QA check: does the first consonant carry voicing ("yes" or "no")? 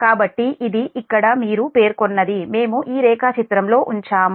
no